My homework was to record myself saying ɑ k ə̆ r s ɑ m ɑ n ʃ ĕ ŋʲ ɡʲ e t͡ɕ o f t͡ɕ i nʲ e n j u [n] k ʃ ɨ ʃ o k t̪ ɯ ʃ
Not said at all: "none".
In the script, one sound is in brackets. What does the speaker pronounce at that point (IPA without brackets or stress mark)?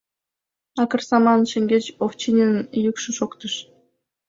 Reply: none